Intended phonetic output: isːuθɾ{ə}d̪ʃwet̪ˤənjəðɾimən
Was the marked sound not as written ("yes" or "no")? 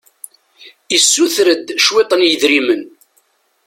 no